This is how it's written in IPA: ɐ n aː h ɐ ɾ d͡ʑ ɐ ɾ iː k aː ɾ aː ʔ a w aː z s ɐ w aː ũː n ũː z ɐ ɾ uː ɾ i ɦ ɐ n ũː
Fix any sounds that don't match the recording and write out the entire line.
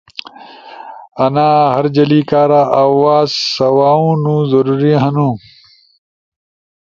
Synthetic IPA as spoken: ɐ n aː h ɐ ɾ d͡ʑ ɐ l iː k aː ɾ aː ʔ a w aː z s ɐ w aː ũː n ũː z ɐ ɾ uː ɾ i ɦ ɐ n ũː

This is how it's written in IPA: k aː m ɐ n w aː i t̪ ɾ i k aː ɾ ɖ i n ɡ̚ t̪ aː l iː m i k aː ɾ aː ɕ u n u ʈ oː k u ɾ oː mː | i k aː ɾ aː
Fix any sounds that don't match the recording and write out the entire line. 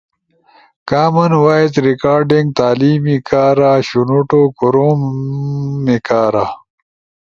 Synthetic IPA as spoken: k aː m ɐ n w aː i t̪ ɾ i k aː ɾ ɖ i ŋ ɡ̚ t̪ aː l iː m i k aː ɾ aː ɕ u n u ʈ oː k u ɾ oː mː | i k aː ɾ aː

